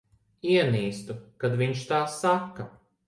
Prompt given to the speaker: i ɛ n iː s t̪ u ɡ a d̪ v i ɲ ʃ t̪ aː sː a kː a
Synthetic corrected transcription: i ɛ n iː s t̪ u k a d̪ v i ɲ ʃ t̪ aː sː a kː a